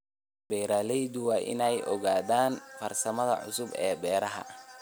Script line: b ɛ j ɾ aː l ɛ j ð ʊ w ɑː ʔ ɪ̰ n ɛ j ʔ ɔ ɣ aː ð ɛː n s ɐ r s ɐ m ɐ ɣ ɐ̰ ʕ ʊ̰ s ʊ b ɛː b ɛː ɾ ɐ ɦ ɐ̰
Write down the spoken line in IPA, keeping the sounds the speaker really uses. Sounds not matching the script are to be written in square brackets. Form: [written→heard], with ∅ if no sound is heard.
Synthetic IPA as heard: b ɛ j ɾ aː l ɛ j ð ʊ w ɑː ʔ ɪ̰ n ɛ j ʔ ɔ ɣ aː ð [ɛː→aː] n [s→f] ɐ r s ɐ m ɐ [ɣ→ð] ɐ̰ ʕ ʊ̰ s ʊ b ɛː b ɛː ɾ ɐ ɦ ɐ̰